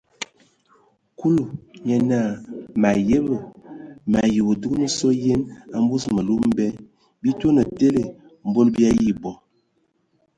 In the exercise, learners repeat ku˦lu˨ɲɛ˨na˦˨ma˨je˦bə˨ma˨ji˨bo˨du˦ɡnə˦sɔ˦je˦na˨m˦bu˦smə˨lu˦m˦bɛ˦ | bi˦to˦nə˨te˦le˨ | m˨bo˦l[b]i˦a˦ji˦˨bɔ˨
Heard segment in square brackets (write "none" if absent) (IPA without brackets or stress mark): b